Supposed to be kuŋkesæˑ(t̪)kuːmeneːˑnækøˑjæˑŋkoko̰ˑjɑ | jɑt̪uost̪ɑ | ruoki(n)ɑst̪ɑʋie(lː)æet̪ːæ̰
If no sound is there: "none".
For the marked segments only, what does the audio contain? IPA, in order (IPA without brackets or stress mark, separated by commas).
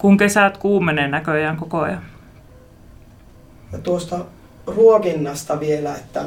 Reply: t̪, nː, l